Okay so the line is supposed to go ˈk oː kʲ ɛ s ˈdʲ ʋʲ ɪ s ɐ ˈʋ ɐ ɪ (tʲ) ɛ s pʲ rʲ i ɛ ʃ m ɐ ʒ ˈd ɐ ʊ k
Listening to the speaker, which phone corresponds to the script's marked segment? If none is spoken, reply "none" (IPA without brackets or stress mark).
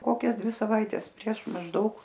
tʲ